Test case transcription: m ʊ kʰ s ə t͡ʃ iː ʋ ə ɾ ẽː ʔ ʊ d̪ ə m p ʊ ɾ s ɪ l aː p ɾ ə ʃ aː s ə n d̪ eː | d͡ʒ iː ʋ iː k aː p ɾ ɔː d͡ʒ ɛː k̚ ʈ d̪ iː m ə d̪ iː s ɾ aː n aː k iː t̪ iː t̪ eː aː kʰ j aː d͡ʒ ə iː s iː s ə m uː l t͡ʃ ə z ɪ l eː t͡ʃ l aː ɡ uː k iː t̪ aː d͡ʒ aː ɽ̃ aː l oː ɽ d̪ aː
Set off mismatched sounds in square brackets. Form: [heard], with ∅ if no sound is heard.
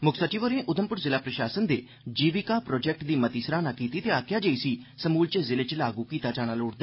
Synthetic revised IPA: m ʊ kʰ s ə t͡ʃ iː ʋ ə ɾ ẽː ʔ ʊ d̪ ə m p ʊ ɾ [z] ɪ l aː p ɾ ə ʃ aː s ə n d̪ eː | d͡ʒ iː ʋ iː k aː p ɾ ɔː d͡ʒ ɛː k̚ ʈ d̪ iː m ə [t̪] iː s ɾ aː n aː k iː t̪ iː t̪ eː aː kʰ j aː d͡ʒ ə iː s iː s ə m uː l t͡ʃ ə z ɪ l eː t͡ʃ l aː ɡ uː k iː t̪ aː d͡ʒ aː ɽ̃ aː l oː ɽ d̪ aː